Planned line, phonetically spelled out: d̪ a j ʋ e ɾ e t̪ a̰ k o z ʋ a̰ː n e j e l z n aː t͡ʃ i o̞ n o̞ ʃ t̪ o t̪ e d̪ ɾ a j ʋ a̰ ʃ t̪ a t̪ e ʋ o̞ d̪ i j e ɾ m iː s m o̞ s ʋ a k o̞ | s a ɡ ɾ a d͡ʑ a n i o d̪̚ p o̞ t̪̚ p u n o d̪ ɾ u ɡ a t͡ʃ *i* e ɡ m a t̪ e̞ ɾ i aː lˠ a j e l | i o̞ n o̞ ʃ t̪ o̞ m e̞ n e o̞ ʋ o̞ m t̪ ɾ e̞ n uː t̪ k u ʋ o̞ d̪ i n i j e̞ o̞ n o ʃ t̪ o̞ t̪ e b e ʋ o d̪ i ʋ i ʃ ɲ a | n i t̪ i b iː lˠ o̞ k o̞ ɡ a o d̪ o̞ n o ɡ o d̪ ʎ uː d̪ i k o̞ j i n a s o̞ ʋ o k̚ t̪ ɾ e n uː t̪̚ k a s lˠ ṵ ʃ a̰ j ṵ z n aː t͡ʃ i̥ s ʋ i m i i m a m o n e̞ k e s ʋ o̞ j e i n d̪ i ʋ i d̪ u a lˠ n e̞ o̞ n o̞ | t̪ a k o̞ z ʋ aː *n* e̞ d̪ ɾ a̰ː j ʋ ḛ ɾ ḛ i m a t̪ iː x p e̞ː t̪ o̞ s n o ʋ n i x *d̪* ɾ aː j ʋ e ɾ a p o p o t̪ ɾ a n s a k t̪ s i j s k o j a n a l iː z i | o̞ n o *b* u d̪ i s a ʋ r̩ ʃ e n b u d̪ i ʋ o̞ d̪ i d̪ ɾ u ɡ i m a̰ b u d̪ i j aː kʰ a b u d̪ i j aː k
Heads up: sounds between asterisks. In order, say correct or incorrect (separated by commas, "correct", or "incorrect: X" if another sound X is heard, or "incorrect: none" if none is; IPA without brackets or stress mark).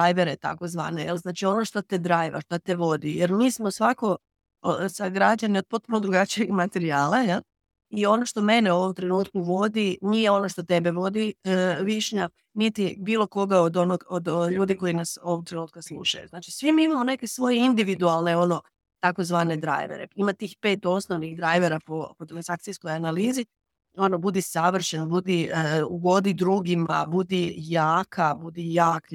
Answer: correct, correct, correct, correct